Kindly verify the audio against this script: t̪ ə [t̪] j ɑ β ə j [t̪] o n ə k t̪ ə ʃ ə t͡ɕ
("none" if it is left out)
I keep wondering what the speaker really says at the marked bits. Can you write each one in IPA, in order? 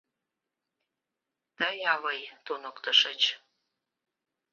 none, t̪

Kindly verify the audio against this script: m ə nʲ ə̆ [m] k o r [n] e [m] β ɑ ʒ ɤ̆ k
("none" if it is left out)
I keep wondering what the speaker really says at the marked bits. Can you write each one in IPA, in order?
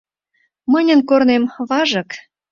n, n, m

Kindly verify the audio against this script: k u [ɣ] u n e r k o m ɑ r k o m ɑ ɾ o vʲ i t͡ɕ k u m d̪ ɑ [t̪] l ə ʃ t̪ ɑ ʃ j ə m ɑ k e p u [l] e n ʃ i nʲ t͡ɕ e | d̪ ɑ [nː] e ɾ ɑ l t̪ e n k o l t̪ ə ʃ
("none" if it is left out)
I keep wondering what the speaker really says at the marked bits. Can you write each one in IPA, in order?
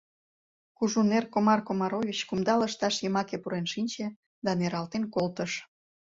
ʒ, none, ɾ, n

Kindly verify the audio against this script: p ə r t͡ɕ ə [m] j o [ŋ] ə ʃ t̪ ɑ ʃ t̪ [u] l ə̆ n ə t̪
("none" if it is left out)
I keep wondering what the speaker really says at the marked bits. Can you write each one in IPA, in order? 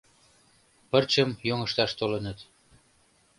m, ŋ, o

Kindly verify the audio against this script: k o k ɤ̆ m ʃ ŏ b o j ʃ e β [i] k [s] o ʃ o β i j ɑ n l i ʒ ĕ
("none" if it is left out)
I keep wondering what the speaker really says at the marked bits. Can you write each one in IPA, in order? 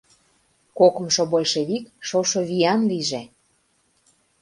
i, ʃ

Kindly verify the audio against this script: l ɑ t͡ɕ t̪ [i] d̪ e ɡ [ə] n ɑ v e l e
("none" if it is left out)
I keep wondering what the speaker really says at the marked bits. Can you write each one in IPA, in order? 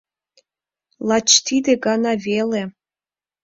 i, ɑ

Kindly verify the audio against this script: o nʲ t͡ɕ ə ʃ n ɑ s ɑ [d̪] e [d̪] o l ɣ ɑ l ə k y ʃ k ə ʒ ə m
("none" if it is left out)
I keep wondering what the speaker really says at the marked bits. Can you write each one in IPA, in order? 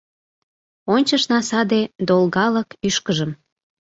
d̪, d̪

